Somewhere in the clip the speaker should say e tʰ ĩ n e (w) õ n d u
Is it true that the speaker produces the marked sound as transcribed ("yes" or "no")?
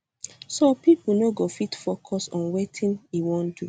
yes